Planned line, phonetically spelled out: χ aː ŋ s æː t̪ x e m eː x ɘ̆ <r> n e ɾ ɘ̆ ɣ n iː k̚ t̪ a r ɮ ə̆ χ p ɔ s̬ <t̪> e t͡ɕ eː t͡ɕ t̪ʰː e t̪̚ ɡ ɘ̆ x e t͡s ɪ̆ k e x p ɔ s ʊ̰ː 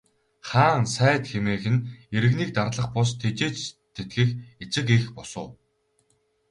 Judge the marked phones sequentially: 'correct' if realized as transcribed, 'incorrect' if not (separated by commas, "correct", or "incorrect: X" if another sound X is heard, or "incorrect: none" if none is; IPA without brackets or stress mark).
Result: incorrect: none, incorrect: t̪ʰ